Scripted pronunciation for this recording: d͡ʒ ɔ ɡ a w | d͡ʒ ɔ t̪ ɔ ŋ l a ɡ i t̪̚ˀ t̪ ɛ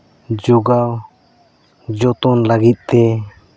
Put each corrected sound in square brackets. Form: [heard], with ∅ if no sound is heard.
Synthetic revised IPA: d͡ʒ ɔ ɡ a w | d͡ʒ ɔ t̪ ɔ [n] l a ɡ i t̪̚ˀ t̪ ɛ